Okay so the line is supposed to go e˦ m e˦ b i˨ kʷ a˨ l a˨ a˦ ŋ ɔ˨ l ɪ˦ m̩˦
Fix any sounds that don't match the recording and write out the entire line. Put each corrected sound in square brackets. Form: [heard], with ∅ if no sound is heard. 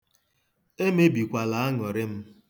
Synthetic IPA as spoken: e˦ m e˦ b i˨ kʷ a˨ l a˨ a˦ ŋ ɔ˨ [ɾ] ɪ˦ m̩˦